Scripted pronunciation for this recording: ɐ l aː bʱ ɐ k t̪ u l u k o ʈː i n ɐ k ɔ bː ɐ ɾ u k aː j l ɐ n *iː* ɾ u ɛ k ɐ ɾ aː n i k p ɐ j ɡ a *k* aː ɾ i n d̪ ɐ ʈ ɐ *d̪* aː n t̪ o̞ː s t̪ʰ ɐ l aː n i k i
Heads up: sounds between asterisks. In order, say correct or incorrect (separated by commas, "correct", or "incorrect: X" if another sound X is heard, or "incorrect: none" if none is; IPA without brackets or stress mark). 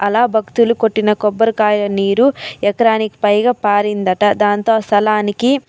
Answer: correct, incorrect: p, correct